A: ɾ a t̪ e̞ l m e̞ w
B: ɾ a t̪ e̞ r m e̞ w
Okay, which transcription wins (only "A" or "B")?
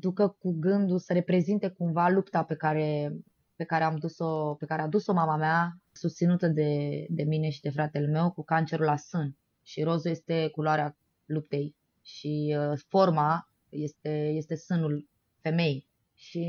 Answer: A